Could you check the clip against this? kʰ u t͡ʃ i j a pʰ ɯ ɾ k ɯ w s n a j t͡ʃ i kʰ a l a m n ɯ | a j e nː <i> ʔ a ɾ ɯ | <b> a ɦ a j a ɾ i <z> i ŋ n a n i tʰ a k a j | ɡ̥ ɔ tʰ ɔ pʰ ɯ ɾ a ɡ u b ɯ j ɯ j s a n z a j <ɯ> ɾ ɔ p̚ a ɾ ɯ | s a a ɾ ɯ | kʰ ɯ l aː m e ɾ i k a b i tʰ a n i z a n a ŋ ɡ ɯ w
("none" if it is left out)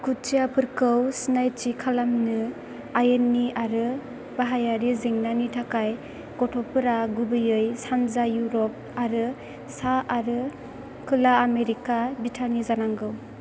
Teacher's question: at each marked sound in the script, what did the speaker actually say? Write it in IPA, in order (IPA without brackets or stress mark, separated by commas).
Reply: i, b, z, u